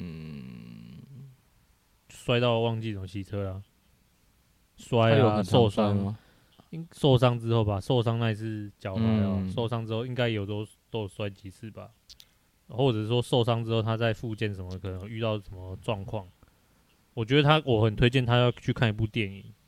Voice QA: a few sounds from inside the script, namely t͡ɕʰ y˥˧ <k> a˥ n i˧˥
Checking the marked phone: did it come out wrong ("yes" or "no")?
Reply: yes